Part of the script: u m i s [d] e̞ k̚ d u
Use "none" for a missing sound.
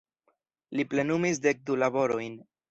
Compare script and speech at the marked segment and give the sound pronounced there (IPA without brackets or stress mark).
d